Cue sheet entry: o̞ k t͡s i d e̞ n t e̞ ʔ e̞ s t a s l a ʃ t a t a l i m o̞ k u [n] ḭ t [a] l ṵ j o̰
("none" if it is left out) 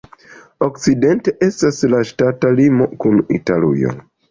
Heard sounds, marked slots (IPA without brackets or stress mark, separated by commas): n, a